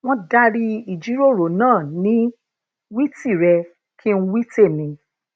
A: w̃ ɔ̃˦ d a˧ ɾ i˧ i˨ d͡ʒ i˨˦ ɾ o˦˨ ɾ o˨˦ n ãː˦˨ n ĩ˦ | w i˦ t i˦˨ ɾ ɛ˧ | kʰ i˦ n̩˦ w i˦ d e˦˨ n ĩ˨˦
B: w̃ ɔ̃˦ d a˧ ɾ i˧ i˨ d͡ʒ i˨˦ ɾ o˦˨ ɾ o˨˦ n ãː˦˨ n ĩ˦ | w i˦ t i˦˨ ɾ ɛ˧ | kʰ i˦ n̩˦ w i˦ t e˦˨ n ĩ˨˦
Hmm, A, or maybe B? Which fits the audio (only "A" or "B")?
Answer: B